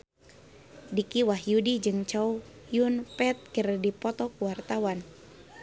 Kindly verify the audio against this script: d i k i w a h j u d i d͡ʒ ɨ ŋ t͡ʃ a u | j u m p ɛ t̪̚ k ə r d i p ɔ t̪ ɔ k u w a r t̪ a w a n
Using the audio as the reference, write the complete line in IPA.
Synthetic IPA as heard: d i k i w a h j u d i d͡ʒ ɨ ŋ t͡ʃ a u | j u n p ɛ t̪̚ k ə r d i p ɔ t̪ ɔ k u w a r t̪ a w a n